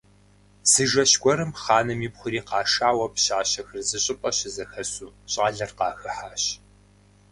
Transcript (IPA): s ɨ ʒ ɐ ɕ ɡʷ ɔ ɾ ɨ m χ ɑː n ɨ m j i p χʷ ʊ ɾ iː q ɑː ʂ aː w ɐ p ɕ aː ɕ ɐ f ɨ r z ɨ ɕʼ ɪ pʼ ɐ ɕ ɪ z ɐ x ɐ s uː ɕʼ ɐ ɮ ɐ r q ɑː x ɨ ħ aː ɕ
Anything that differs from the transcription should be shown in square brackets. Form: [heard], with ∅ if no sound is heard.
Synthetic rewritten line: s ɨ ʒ ɐ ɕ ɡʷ ɔ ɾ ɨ m χ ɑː n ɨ m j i p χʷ ʊ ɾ iː q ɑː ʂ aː w ɐ p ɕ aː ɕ ɐ [x] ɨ r z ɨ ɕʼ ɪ pʼ ɐ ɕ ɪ z ɐ x ɐ s uː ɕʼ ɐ ɮ ɐ r q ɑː x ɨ ħ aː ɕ

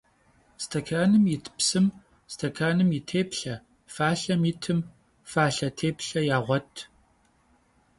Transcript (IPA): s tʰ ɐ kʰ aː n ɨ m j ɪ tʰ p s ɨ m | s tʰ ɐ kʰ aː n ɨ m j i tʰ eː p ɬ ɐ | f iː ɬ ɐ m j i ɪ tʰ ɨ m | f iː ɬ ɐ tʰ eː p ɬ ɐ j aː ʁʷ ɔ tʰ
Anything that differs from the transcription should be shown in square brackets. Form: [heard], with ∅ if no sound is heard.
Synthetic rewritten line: s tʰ ɐ kʰ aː n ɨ m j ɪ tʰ p s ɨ m | s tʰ ɐ kʰ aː n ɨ m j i tʰ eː p ɬ ɐ | f [aː] ɬ ɐ m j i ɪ tʰ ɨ m | f [aː] ɬ ɐ tʰ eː p ɬ ɐ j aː ʁʷ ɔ tʰ

